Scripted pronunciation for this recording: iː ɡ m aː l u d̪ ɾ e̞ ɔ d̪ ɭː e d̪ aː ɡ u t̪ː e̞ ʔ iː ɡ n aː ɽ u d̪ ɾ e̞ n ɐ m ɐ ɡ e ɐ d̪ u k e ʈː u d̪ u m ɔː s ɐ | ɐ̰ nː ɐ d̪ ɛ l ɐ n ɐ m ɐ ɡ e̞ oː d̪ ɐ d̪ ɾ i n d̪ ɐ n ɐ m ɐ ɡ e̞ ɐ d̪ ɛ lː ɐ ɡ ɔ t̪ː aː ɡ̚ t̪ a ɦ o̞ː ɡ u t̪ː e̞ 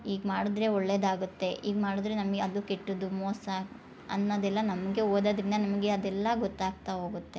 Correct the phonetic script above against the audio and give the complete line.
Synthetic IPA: iː ɡ m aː ɽ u d̪ ɾ e̞ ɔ ɭː e d̪ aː ɡ u t̪ː e̞ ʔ iː ɡ m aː ɽ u d̪ ɾ e̞ n ɐ m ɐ ɡ e ɐ d̪ u k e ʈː u d̪ u m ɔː s ɐ | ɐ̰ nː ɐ d̪ ɛ lː ɐ n ɐ m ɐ ɡ e̞ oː d̪ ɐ d̪ ɾ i n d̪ ɐ n ɐ m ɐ ɡ e̞ ɐ d̪ ɛ lː ɐ ɡ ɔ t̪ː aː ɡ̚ t̪ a ɦ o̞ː ɡ u t̪ː e̞